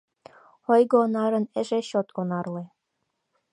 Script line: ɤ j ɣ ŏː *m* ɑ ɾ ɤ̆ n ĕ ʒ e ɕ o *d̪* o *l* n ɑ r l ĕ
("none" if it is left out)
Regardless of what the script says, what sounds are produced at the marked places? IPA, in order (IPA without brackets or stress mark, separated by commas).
n, t̪, none